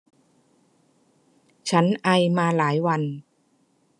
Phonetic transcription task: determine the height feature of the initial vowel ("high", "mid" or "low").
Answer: low